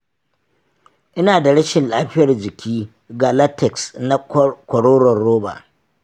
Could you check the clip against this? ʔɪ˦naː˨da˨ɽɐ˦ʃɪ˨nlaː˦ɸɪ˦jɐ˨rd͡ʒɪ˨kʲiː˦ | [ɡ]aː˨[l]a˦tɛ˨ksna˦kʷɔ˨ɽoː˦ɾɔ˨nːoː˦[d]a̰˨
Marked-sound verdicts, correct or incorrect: correct, correct, incorrect: b

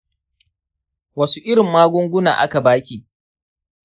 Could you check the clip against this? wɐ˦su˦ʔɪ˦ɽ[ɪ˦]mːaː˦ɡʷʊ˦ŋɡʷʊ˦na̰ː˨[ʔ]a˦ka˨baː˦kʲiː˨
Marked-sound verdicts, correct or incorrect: incorrect: ɪ˨, correct

